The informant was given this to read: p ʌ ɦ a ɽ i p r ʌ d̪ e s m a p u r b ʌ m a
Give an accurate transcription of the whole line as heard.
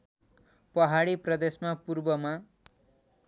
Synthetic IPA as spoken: p ʌ ɦ a ɽ i p r ʌ d̪ e s m a p u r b ʌ m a